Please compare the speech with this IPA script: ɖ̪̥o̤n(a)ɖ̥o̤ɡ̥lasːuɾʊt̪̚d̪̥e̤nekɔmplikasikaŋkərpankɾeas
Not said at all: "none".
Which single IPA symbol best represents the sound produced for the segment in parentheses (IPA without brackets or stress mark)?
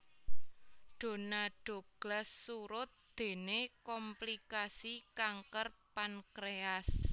a